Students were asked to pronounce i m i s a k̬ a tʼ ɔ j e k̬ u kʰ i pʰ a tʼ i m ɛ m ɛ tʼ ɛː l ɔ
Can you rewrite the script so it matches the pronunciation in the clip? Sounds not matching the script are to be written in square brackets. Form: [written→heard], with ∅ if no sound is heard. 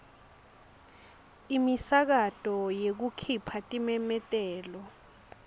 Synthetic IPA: i m i s a k̬ a tʼ ɔ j e k̬ u kʰ i pʰ a tʼ i m ɛ m ɛ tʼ ɛː l ɔ